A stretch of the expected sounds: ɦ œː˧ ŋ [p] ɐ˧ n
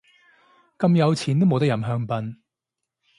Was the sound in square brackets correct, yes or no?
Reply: yes